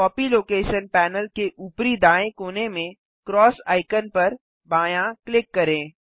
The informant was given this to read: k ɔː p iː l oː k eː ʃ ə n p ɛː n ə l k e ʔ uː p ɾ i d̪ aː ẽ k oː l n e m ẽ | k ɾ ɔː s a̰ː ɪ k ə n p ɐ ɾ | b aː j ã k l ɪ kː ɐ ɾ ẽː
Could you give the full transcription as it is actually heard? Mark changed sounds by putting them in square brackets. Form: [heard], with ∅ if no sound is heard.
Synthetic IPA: k ɔː p [i] l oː k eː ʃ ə n p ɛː n ə l k e ʔ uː p ɾ i d̪ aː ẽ k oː [∅] n e m ẽ | k ɾ ɔː s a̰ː ɪ k ə n p ɐ ɾ | b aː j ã k l ɪ kː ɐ ɾ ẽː